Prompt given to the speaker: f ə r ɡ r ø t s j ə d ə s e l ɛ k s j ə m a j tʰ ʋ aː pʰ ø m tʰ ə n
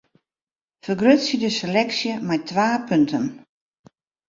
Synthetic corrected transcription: f ə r ɡ r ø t s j ə d ə s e l ɛ k s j ə m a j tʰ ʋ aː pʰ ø n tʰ ə n